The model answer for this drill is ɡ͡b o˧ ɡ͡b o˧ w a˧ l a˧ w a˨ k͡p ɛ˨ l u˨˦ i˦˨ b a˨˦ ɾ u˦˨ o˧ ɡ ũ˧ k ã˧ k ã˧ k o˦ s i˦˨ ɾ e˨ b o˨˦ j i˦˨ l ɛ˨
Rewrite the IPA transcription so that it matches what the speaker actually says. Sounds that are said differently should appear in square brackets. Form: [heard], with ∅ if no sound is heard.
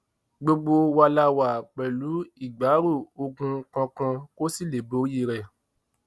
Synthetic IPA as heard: ɡ͡b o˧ ɡ͡b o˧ w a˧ l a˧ w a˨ k͡p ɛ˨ l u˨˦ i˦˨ [ɡ͡b] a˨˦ ɾ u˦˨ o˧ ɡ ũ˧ k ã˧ k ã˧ k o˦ s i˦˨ [l] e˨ b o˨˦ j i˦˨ [ɾ] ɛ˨

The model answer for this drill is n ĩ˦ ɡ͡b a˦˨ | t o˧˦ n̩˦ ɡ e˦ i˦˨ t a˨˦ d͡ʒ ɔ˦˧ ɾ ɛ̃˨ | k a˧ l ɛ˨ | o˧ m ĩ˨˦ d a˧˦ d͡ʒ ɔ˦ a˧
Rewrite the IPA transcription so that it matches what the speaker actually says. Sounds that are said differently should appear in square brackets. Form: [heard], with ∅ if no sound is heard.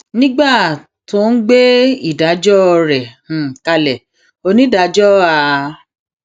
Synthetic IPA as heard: n ĩ˦ ɡ͡b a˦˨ | t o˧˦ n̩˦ [ɡ͡b] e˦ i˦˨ [d] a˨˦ d͡ʒ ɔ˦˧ ɾ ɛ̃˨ | k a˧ l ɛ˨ | o˧ [n] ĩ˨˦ d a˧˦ d͡ʒ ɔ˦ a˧

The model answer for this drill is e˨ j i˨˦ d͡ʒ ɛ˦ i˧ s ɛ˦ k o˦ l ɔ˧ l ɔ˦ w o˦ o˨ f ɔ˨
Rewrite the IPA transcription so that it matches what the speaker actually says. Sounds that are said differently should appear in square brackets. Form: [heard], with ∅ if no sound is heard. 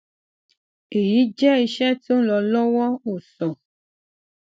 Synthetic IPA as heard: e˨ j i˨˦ d͡ʒ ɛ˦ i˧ [ʃ] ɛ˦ [t] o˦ l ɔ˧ l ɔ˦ w [ɔ˦] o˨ [s] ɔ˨

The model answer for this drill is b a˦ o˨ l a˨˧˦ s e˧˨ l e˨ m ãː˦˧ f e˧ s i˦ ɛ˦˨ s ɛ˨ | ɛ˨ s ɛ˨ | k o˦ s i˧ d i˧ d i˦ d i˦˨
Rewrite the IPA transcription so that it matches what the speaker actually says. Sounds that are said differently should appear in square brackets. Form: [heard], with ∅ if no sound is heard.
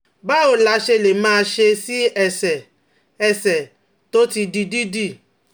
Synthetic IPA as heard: b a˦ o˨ l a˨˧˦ [ʃ] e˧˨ l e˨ m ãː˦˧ [ʃ] e˧ s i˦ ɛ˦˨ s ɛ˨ | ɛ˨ s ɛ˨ | [t] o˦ [t] i˧ d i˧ d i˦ d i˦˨

